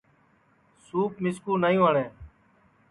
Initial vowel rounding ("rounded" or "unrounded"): rounded